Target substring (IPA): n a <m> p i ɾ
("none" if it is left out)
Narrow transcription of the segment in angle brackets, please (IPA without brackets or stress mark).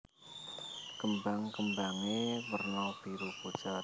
none